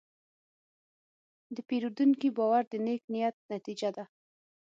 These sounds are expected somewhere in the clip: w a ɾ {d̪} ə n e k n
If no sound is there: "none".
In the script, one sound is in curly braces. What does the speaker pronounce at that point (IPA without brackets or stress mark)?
d̪